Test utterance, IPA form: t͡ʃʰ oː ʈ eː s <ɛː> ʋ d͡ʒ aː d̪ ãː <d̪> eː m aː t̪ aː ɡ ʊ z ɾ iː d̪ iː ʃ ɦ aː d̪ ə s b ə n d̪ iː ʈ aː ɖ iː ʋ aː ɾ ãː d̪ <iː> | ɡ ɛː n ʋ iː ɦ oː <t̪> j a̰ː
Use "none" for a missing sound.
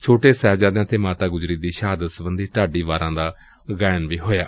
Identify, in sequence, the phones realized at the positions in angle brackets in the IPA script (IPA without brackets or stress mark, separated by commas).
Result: ɛː, t̪, aː, none